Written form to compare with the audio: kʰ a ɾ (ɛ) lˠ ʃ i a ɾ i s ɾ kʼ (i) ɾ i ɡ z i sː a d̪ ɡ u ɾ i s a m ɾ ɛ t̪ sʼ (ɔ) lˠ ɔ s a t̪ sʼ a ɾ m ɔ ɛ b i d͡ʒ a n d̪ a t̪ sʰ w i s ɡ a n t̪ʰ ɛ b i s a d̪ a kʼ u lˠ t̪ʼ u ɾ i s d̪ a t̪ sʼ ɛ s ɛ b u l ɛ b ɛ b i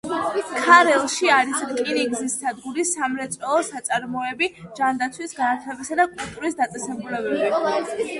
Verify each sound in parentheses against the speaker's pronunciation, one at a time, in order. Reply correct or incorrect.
correct, correct, correct

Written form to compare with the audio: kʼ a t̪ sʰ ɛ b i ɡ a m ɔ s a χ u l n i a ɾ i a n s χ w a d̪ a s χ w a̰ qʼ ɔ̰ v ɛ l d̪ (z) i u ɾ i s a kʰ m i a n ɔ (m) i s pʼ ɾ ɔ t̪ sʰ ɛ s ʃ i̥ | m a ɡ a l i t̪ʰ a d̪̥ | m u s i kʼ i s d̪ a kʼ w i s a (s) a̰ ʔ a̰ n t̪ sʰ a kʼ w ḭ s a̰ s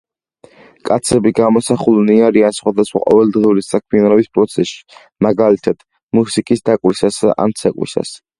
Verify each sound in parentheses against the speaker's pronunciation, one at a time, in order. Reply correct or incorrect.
incorrect: ʁ, incorrect: b, correct

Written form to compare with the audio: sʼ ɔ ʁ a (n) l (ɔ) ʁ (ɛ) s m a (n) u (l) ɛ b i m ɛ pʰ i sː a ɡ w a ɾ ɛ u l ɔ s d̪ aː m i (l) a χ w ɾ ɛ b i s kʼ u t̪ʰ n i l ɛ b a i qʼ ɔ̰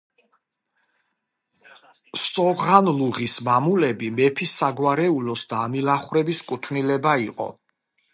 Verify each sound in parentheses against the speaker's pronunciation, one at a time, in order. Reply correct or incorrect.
correct, incorrect: u, incorrect: i, incorrect: m, correct, correct

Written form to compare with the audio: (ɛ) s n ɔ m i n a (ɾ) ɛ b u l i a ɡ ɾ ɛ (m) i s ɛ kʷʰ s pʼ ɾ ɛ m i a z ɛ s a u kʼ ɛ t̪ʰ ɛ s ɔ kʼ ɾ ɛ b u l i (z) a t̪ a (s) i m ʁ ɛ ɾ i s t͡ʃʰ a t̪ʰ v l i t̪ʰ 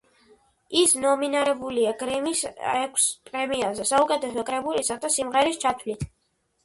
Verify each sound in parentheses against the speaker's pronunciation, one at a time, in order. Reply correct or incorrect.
incorrect: i, correct, correct, incorrect: s, correct

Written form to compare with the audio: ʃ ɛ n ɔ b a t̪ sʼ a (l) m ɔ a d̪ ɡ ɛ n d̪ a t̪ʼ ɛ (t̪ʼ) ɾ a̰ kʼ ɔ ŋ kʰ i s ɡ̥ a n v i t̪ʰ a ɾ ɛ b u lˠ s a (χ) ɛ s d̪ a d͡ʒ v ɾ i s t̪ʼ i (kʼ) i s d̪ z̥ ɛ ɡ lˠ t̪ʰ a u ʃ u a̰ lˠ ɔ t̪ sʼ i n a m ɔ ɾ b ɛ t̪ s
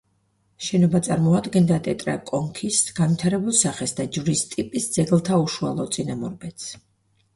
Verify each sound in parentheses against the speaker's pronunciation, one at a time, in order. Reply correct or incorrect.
incorrect: ɾ, correct, correct, incorrect: pʼ

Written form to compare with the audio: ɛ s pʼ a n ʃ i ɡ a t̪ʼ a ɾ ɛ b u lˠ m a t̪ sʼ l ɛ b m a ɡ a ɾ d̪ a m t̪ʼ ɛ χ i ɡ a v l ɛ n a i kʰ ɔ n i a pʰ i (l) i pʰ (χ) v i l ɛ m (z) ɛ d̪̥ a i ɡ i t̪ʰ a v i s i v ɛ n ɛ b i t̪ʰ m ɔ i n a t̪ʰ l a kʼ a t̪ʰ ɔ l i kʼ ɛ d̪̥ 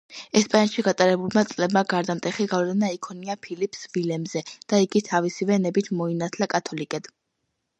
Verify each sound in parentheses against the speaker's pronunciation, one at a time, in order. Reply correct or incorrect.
correct, incorrect: s, correct

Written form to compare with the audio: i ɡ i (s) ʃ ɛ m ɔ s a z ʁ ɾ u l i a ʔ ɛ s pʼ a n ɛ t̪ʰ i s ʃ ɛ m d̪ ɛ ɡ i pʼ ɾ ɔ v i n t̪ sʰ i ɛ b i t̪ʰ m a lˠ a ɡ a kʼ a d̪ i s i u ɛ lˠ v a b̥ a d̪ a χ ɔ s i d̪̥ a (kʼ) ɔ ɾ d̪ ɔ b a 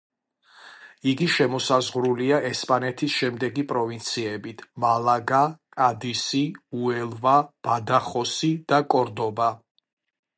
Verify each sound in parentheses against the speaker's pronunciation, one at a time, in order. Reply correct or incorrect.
incorrect: none, correct

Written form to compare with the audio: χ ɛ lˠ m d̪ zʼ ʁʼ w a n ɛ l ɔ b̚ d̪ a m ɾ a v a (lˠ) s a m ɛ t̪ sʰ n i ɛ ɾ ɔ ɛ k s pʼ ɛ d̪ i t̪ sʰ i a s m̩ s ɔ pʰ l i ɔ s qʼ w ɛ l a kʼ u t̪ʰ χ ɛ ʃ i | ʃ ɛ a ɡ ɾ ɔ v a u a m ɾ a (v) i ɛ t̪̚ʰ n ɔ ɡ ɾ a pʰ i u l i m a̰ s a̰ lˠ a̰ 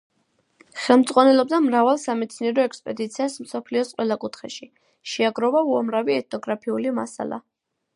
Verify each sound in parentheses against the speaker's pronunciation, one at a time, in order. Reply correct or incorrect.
correct, correct

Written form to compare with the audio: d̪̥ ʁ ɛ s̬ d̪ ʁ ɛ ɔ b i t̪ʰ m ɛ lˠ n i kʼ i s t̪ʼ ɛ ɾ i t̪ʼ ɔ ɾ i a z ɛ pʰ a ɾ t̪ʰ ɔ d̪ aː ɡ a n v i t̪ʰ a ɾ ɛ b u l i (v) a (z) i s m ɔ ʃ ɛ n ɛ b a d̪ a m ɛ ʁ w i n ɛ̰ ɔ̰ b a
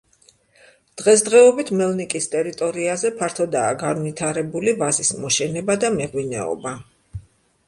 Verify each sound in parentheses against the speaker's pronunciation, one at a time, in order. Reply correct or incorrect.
correct, correct

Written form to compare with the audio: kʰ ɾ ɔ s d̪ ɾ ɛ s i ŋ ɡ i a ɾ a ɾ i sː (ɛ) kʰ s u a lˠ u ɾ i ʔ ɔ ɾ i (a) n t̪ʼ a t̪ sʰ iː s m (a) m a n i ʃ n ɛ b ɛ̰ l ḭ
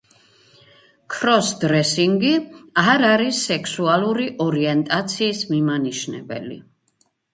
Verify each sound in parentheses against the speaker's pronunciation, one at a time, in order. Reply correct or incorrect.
correct, incorrect: ɛ, incorrect: i

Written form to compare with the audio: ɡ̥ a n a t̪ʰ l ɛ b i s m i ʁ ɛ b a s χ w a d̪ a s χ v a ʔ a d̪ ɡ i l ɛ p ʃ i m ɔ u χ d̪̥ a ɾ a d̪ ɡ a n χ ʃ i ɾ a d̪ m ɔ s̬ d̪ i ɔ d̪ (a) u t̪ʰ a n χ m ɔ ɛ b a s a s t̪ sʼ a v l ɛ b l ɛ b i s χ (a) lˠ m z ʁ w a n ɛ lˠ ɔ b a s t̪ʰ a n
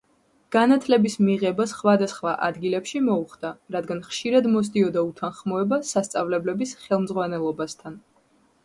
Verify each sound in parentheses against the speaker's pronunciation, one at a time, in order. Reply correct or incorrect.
correct, incorrect: ɛ

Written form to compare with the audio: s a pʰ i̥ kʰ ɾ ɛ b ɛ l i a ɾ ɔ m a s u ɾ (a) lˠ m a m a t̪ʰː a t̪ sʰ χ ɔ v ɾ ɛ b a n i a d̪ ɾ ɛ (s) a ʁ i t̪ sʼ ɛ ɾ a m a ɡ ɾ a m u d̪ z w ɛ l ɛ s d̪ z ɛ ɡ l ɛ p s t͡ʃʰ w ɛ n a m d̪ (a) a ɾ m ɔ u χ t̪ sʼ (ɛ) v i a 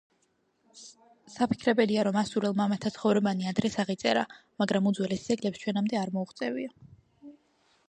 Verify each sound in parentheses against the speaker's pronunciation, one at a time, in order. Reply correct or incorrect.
incorrect: ɛ, correct, incorrect: ɛ, correct

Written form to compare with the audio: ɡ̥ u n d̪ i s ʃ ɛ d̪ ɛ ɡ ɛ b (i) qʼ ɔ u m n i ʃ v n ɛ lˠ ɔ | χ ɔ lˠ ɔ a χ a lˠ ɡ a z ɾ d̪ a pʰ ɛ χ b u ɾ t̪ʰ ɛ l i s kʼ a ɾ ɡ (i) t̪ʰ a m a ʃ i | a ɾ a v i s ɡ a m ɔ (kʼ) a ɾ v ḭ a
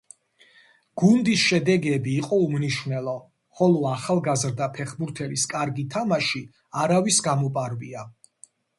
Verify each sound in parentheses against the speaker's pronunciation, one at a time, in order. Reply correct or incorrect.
incorrect: iː, correct, incorrect: pʼ

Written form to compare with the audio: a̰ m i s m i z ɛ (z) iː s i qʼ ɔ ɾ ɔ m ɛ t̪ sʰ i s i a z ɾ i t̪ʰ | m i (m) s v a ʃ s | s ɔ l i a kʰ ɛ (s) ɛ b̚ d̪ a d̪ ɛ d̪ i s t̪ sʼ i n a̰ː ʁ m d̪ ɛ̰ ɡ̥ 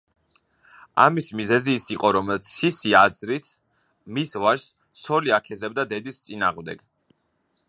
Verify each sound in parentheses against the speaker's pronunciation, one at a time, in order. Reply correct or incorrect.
correct, incorrect: none, incorrect: z

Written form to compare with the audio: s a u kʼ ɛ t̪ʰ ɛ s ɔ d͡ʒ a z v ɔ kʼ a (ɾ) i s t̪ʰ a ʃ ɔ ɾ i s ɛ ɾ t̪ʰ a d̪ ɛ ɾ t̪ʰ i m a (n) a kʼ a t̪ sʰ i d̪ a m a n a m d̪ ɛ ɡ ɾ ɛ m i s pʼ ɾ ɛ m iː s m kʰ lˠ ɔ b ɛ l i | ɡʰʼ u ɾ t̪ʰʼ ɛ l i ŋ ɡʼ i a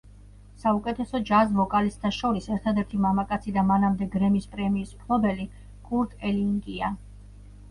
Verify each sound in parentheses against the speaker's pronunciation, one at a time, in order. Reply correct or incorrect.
incorrect: l, incorrect: m

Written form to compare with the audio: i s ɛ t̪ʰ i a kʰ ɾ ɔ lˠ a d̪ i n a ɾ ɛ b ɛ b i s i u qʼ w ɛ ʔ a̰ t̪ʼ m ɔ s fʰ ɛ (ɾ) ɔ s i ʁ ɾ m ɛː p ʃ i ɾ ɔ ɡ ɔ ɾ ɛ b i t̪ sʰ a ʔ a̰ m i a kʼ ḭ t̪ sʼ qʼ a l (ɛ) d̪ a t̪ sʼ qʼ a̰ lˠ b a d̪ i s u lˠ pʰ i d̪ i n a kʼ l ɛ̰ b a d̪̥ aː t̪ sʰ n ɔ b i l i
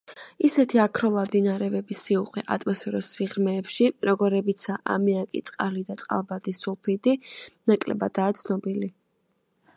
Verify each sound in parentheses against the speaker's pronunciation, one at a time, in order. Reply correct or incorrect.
correct, incorrect: i

